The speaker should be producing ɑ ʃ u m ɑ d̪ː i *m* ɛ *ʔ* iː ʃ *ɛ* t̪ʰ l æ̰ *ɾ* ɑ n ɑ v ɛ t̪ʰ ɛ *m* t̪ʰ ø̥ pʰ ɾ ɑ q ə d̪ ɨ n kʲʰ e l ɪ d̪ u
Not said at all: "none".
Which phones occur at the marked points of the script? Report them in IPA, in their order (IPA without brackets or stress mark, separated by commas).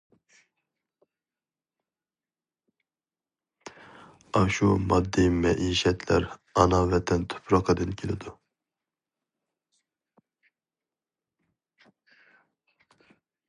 m, ʔ, ɛ, ɾ, n